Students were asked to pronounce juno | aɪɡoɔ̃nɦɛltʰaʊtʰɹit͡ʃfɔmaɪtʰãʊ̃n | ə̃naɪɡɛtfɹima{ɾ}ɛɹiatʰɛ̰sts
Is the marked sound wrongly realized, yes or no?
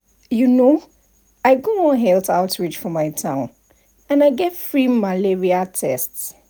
yes